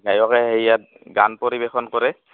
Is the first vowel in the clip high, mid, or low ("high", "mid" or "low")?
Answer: low